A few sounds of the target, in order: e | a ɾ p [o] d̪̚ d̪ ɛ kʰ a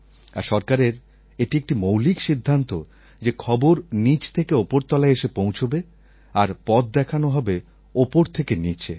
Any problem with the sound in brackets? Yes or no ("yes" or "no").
yes